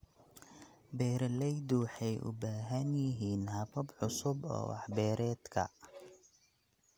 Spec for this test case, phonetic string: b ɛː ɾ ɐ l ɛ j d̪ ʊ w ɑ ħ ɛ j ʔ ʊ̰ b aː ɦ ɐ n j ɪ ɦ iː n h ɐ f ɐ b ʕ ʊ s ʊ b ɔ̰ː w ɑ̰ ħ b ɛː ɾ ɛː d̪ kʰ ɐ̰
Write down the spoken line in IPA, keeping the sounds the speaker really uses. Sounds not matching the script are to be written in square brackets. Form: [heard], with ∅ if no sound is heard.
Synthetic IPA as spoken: b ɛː ɾ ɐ l ɛ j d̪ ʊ w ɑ ħ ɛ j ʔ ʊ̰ b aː ɦ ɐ n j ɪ ɦ iː n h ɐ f ɐ b ʕ ʊ s ʊ b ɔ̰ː w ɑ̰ ħ b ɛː ɾ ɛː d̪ kʰ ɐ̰